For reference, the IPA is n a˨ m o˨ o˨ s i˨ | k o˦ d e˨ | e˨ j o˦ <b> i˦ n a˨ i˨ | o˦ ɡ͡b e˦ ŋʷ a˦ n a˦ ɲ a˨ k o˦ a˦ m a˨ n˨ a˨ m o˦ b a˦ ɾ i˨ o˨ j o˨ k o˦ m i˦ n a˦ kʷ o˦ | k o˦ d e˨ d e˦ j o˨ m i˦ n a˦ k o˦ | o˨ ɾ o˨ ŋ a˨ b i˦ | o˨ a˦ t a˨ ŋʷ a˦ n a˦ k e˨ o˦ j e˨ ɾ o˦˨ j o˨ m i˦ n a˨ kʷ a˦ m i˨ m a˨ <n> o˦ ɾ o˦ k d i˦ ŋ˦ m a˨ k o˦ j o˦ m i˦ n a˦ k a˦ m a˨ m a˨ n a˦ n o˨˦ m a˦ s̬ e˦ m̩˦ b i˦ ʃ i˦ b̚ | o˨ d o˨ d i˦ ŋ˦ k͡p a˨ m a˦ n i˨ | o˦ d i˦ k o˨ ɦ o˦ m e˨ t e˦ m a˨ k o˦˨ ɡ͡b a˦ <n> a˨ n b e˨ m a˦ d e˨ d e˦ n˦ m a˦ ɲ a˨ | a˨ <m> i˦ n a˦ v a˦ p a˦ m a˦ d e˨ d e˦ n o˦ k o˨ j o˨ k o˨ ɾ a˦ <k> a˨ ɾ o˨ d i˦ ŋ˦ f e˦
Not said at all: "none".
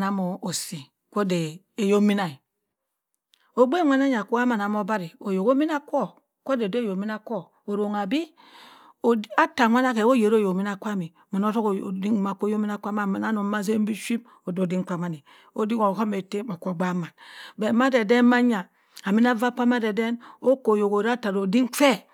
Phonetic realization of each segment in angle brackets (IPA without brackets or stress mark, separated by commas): m, n, m, m, t